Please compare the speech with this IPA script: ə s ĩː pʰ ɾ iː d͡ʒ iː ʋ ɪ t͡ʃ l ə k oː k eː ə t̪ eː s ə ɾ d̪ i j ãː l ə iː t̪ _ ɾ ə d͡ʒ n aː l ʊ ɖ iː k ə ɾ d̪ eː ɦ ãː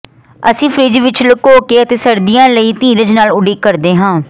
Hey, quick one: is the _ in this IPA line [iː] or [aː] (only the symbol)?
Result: iː